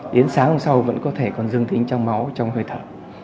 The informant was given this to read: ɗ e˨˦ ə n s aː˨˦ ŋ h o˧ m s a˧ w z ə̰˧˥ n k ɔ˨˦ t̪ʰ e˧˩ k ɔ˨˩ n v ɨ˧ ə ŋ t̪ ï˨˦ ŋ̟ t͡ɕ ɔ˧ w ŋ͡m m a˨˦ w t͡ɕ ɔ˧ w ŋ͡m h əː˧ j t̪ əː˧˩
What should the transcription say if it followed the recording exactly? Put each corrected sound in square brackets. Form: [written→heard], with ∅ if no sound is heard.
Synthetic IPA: ɗ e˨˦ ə n s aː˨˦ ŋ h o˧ [m→ŋ͡m] s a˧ w [z→v] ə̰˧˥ n k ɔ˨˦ t̪ʰ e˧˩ k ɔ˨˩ n [v→z] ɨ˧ ə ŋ t̪ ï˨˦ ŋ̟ t͡ɕ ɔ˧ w ŋ͡m m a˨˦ w t͡ɕ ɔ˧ w ŋ͡m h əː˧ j [t̪→t̪ʰ] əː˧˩

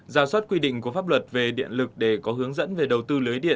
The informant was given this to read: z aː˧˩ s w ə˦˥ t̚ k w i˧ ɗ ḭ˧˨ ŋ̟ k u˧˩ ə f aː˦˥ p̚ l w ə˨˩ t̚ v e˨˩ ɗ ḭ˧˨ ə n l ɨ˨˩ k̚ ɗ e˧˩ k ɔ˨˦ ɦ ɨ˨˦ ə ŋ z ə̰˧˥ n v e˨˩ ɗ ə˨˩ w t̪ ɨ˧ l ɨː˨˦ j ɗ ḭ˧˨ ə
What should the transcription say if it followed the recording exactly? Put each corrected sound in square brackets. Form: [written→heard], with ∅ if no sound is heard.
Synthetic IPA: z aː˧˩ s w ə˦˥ t̚ k w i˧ ɗ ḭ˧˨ ŋ̟ k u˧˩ ə f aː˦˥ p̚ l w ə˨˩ t̚ v e˨˩ ɗ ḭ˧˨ ə n l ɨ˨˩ k̚ ɗ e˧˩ k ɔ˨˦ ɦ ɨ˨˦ ə ŋ z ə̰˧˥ n v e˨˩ ɗ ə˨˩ w t̪ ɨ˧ l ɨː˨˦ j ɗ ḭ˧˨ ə

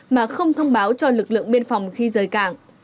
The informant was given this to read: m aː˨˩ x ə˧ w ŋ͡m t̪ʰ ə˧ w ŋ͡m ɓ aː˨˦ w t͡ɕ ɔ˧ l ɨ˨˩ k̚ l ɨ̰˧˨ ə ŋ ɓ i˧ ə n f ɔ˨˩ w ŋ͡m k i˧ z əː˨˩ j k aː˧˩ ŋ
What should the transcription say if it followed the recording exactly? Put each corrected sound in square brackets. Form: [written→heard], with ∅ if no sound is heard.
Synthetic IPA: m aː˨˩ x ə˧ w ŋ͡m t̪ʰ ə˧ w ŋ͡m ɓ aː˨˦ w t͡ɕ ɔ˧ l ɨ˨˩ k̚ l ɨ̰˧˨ ə ŋ ɓ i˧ ə n f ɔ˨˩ w ŋ͡m [k→x] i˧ z əː˨˩ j k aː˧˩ ŋ

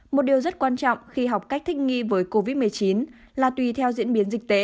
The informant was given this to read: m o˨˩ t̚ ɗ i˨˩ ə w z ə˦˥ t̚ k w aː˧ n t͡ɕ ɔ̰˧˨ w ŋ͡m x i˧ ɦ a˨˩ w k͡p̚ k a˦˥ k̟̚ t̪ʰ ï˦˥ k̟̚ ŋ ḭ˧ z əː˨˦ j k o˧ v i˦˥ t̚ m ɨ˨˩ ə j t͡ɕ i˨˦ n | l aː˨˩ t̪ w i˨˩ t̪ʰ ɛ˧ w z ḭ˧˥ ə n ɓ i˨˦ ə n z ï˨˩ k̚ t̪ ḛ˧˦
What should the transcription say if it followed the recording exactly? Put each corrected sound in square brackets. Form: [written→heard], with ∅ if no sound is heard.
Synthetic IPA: m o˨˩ t̚ ɗ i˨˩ ə w z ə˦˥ t̚ k w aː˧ n t͡ɕ ɔ̰˧˨ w ŋ͡m x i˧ ɦ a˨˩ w k͡p̚ k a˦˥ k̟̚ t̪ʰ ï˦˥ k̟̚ ŋ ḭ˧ [z→v] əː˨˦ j k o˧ v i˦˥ t̚ m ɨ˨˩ ə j t͡ɕ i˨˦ n | l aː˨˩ t̪ w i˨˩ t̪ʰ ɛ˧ w z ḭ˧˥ ə n ɓ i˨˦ ə n z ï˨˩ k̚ t̪ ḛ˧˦

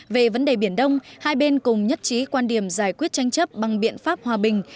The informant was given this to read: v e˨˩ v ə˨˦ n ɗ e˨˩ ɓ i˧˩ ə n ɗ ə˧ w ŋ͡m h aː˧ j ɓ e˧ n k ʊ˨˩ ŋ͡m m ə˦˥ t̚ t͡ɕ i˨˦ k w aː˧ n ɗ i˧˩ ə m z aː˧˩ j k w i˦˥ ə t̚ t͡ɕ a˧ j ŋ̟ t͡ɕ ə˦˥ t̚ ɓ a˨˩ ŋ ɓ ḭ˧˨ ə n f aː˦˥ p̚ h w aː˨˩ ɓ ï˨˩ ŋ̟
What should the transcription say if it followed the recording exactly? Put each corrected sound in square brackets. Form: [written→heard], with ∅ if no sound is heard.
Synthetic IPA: v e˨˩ v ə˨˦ n ɗ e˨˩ ɓ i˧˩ ə n ɗ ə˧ w ŋ͡m h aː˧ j ɓ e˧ n k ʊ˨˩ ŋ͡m [m→ɲ] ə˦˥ t̚ t͡ɕ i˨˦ k w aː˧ n ɗ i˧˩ ə m z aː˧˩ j k w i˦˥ ə t̚ t͡ɕ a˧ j ŋ̟ t͡ɕ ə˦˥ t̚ ɓ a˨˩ ŋ ɓ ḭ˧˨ ə n f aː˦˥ p̚ h w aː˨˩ ɓ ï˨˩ ŋ̟

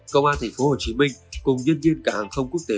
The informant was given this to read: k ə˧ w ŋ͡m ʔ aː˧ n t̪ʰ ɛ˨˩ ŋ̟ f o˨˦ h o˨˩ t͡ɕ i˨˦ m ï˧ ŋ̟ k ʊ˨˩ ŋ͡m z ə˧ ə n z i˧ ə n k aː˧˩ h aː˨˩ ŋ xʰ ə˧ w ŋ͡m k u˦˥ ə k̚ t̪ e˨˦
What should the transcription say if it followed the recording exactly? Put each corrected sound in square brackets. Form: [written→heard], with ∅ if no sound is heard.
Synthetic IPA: k ə˧ w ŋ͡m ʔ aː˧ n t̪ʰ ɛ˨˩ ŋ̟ f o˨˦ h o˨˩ t͡ɕ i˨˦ m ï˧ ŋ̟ k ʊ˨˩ ŋ͡m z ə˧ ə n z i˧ ə n k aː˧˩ h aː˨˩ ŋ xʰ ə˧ w ŋ͡m k u˦˥ ə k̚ t̪ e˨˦

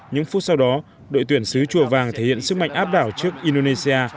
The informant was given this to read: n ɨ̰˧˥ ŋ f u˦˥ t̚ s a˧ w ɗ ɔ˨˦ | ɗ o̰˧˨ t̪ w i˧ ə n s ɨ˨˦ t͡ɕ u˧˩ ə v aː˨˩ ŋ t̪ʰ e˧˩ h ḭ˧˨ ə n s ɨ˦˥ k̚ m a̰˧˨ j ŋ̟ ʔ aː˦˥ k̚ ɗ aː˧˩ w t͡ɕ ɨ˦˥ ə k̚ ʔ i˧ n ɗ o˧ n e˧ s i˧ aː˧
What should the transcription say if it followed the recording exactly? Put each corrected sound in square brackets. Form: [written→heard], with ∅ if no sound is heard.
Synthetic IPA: [n→ɲ] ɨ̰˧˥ ŋ f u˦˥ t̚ s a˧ w ɗ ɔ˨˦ | ɗ o̰˧˨ t̪ w [i˧→i˧˩] ə n s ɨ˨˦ t͡ɕ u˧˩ ə v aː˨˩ ŋ t̪ʰ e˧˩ h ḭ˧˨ ə n s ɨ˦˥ k̚ m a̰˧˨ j ŋ̟ ʔ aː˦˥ [k̚→p̚] ɗ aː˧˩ w t͡ɕ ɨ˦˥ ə k̚ ʔ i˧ n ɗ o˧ n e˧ s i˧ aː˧

